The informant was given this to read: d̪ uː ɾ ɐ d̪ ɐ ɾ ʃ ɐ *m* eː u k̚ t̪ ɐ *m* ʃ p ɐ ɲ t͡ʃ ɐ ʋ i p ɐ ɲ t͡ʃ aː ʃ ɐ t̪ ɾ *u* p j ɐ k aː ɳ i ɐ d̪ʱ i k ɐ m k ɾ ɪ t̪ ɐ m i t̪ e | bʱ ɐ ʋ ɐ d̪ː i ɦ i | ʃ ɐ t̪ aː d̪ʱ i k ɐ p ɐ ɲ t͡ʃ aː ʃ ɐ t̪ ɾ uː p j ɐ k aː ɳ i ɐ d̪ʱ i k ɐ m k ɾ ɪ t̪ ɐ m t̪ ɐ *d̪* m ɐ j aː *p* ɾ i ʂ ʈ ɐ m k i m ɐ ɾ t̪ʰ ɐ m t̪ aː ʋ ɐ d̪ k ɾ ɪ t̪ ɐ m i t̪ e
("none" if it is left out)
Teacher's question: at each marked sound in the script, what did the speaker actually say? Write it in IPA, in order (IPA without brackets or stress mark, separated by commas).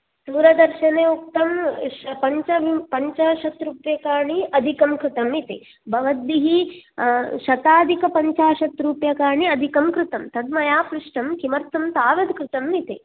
n, m, uː, d̪, p